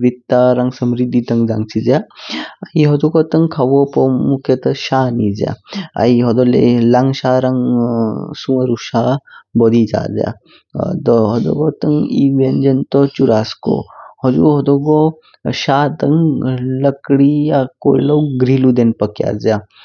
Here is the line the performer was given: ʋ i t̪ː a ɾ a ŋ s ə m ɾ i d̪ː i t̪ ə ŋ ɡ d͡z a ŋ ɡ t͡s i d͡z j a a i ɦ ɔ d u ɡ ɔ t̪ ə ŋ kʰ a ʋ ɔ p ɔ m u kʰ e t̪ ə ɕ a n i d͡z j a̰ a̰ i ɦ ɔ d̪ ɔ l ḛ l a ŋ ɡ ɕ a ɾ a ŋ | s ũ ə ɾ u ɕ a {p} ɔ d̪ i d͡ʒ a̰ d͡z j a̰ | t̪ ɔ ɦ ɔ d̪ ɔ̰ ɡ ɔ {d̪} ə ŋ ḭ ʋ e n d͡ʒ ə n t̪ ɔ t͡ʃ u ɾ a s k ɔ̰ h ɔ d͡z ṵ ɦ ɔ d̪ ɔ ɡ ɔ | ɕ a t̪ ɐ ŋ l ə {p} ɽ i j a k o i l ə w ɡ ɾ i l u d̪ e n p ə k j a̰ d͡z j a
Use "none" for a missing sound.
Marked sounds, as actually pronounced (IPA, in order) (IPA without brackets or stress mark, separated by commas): b, t̪, k